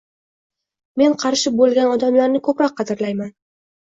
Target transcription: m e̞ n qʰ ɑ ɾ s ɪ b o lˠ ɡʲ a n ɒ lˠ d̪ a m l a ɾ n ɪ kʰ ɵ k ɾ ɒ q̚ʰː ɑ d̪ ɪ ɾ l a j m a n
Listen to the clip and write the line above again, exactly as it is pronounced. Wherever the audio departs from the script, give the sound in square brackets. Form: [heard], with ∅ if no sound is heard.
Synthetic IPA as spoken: m e̞ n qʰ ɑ ɾ [ʃ] ɪ b o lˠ ɡʲ a n ɒ [∅] d̪ a m l a ɾ n ɪ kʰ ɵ [p] ɾ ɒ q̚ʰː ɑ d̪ ɪ ɾ l a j m a n